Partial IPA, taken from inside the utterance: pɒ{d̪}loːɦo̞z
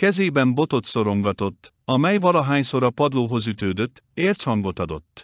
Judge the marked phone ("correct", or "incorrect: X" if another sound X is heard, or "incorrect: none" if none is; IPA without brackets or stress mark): correct